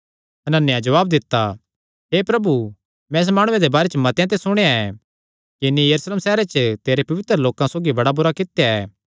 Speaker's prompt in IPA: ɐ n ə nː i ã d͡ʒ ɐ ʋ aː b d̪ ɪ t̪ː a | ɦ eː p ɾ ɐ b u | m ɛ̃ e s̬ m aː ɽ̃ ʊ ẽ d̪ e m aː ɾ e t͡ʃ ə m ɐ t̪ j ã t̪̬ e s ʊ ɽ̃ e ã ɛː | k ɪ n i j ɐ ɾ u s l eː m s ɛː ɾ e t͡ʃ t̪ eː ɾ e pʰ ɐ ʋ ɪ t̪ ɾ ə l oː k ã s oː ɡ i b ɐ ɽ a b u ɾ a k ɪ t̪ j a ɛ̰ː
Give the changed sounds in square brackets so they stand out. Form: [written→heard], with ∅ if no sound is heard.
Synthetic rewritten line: ɐ n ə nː [i→j] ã d͡ʒ ɐ ʋ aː b d̪ ɪ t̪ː a | ɦ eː p ɾ ɐ b u | m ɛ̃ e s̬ m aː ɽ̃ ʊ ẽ d̪ e [m→b] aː ɾ e t͡ʃ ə m ɐ t̪ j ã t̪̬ e s ʊ ɽ̃ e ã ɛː | k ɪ n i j ɐ ɾ u s l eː m s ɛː ɾ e t͡ʃ t̪ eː ɾ e [pʰ→p] ɐ ʋ ɪ t̪ ɾ ə l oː k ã s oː ɡ i b ɐ ɽ a b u ɾ a k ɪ t̪ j a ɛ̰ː

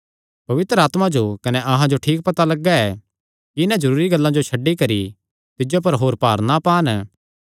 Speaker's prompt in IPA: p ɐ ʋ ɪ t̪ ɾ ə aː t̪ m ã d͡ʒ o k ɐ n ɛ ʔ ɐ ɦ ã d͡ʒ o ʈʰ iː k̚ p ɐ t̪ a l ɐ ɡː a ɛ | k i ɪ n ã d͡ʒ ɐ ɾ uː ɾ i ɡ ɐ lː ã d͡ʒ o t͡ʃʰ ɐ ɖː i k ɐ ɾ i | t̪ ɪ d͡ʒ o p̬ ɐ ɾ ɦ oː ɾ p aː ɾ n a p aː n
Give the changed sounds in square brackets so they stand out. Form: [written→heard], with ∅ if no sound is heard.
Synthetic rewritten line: p ɐ ʋ ɪ t̪ ɾ ə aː t̪ m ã d͡ʒ o k ɐ n ɛ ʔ ɐ ɦ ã d͡ʒ o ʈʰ iː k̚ p ɐ t̪ a l ɐ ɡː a ɛ | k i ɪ n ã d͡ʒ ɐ ɾ uː ɾ i ɡ ɐ lː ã d͡ʒ o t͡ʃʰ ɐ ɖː i k ɐ ɾ i | t̪ ɪ d͡ʒ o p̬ ɐ ɾ ɦ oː ɾ p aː ɾ n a p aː n

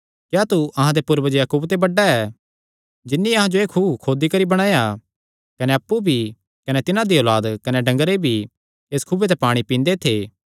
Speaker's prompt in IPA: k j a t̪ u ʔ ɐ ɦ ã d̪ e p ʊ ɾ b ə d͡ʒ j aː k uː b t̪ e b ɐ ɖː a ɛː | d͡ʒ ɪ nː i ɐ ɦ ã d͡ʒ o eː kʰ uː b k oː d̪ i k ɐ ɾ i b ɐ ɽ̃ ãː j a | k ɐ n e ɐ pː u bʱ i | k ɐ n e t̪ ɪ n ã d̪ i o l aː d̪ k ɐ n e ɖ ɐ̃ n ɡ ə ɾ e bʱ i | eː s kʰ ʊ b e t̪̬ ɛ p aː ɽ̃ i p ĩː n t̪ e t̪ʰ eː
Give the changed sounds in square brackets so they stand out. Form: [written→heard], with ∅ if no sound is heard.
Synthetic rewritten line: k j a t̪ u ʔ ɐ ɦ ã d̪ e p ʊ ɾ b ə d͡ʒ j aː k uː b t̪ e b ɐ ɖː a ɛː | d͡ʒ ɪ nː i ɐ ɦ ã d͡ʒ o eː kʰ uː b [k→kʰ] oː d̪ i k ɐ ɾ i b ɐ ɽ̃ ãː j a | k ɐ n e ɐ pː u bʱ i | k ɐ n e t̪ ɪ n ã d̪ i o l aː d̪ k ɐ n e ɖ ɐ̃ [n→ŋ] ɡ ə ɾ e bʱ i | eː s kʰ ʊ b e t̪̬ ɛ p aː ɽ̃ i p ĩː n [t̪→d̪] e t̪ʰ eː

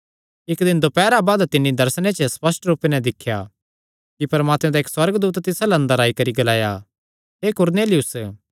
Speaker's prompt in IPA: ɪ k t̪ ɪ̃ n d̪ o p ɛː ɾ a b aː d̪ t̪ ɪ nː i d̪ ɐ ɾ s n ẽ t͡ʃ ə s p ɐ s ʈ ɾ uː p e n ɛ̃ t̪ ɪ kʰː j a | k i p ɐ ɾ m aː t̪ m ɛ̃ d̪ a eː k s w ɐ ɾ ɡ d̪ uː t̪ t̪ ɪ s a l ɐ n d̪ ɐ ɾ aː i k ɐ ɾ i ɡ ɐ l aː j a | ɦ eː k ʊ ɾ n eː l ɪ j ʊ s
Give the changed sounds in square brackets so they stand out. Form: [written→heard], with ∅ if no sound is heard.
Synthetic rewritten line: ɪ k [t̪→d̪] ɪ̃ n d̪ o p ɛː ɾ a b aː d̪ t̪ ɪ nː i d̪ ɐ ɾ s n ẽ t͡ʃ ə s p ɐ s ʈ ɾ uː p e n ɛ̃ [t̪→d̪] ɪ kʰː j a | k i p ɐ ɾ m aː t̪ m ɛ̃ d̪ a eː k s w ɐ ɾ ɡ d̪ uː t̪ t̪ ɪ s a l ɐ n d̪ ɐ ɾ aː i k ɐ ɾ i ɡ ɐ l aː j a | ɦ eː k ʊ ɾ n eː l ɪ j ʊ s

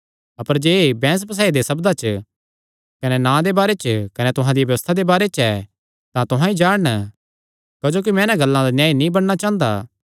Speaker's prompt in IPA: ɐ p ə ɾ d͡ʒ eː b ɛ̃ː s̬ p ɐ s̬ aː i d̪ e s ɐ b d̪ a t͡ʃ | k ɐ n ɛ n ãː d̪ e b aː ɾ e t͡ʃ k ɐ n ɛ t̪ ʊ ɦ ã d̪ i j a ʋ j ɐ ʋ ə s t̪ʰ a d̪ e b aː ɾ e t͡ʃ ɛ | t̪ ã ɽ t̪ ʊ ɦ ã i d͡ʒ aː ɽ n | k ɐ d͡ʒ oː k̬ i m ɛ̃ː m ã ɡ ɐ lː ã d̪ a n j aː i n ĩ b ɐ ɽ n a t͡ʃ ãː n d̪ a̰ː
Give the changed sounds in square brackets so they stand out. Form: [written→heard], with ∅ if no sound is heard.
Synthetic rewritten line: ɐ p ə ɾ d͡ʒ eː b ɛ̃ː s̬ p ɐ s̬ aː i d̪ e s ɐ b d̪ a t͡ʃ | k ɐ n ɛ n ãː d̪ e b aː ɾ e t͡ʃ k ɐ n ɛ t̪ ʊ ɦ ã d̪ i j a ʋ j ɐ ʋ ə s t̪ʰ a d̪ e b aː ɾ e t͡ʃ ɛ | t̪ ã [ɽ→∅] t̪ ʊ ɦ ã i d͡ʒ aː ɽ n | k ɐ d͡ʒ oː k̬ i m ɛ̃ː [m→n] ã ɡ ɐ lː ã d̪ a n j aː i n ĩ b ɐ ɽ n a t͡ʃ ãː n d̪ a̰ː

